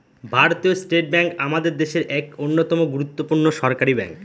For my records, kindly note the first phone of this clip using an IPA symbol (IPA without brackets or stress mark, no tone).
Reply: bʱ